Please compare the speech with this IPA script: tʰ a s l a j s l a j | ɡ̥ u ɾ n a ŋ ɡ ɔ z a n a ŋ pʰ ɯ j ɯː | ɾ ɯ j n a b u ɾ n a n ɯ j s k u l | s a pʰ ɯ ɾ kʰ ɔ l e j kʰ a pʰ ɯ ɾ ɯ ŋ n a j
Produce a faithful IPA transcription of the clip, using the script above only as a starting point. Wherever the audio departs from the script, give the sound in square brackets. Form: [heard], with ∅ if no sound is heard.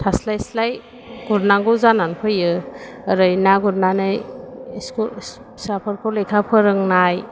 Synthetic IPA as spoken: tʰ a s l a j s l a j | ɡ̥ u ɾ n a ŋ ɡ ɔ z a n a [n] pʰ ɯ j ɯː | ɾ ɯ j n a [ɡ] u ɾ n a n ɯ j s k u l | s a pʰ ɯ ɾ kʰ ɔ l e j kʰ a pʰ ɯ ɾ ɯ ŋ n a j